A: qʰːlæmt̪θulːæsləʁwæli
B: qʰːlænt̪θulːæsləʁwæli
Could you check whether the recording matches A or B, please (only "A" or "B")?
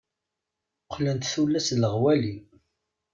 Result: B